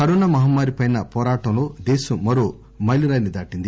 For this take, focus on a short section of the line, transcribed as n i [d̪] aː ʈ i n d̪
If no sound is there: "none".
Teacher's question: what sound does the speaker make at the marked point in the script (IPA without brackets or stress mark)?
d̪